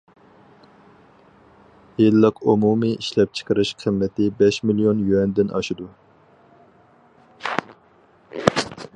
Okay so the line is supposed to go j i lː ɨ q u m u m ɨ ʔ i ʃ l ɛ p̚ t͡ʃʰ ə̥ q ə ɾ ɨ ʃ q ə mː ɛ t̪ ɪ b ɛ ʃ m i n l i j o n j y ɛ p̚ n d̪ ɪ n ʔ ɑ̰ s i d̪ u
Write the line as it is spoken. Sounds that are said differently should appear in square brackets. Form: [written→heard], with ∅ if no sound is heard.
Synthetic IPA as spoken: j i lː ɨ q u m u m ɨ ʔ i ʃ l ɛ p̚ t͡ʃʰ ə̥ q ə ɾ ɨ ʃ [q→qʰ] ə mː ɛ t̪ ɪ b ɛ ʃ m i [n→∅] l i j o n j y ɛ [p̚→∅] n d̪ ɪ n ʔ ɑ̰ [s→ʃ] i d̪ u